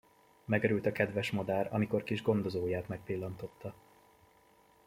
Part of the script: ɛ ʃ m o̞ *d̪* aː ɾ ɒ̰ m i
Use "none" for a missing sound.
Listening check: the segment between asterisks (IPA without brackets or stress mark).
d̪